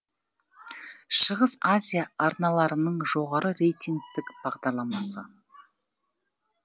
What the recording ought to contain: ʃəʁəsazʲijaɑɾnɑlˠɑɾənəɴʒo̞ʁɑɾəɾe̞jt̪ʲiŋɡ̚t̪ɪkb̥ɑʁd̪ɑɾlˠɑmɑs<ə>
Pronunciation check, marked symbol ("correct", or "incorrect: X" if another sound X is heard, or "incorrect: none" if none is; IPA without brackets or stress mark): correct